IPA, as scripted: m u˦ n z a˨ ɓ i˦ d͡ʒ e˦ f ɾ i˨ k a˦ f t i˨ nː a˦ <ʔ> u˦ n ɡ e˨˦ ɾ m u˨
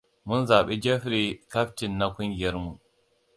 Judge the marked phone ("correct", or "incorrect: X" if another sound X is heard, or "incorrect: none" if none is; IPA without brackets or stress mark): incorrect: k